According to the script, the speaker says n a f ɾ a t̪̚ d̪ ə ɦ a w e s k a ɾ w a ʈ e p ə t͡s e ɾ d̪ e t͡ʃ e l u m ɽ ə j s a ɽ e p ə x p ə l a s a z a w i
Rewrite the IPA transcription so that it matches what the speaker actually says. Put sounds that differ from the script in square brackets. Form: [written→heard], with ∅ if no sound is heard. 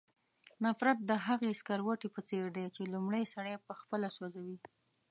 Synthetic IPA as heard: n a f ɾ a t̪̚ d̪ ə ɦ a [w→ɣ] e s k a ɾ w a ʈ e p ə t͡s e ɾ d̪ e t͡ʃ e l u m ɽ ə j s a ɽ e p ə x p ə l a s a z a w i